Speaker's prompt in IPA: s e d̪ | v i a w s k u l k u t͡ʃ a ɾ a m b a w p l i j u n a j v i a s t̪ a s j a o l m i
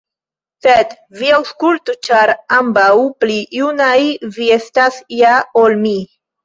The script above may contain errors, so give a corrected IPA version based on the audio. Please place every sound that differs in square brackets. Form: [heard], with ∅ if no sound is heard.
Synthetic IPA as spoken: s e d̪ | v i a w s k u l [t] u t͡ʃ a ɾ a m b a w p l i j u n a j v i [e] s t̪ a s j a o l m i